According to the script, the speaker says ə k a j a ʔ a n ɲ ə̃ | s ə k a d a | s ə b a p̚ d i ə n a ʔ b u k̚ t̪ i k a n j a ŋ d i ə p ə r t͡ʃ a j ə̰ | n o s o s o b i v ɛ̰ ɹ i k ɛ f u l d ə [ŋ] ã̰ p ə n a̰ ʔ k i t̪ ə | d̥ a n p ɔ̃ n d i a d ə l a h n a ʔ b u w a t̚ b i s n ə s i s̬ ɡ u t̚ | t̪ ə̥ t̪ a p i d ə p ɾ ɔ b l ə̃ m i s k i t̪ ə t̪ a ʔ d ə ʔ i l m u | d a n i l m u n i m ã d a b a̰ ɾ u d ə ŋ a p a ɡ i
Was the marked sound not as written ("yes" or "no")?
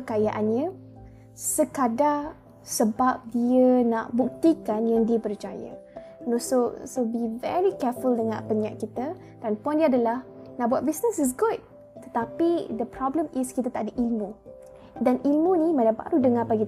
no